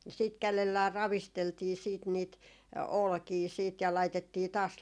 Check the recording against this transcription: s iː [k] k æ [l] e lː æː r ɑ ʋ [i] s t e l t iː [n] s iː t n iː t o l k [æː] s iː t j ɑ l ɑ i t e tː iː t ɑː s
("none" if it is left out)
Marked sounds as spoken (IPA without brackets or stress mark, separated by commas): t, l, i, none, iː